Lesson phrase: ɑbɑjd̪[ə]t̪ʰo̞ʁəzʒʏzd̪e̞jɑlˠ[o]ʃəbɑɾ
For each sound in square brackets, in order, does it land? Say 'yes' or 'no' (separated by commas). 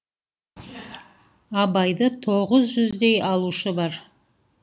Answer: yes, no